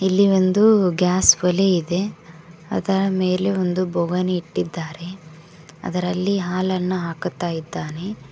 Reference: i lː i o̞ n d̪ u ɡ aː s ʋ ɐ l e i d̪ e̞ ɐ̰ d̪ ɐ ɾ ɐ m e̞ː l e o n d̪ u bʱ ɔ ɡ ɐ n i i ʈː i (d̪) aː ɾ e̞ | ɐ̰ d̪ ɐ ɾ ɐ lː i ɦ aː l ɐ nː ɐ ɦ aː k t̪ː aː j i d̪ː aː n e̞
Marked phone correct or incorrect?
incorrect